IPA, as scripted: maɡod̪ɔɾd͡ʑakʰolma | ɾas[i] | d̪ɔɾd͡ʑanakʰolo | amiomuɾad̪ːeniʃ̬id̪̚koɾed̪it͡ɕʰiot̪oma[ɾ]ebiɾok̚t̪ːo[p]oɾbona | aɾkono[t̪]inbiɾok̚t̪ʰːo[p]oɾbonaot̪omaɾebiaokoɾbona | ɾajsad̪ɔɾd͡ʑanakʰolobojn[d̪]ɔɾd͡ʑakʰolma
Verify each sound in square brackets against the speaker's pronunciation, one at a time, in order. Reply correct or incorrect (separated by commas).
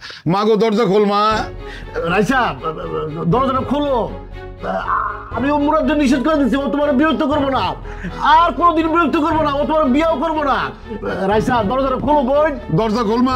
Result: incorrect, correct, incorrect, incorrect, incorrect, correct